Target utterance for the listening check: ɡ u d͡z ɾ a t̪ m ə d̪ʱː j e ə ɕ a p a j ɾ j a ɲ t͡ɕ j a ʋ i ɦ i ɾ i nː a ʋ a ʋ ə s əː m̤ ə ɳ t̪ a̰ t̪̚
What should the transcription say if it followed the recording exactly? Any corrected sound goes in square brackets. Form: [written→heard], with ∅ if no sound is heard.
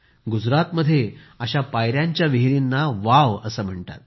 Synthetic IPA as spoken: ɡ u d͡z ɾ a t̪ m ə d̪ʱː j e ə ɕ a p a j ɾ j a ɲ t͡ɕ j a ʋ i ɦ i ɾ i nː a ʋ a ʋ ə s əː m̤ ə ɳ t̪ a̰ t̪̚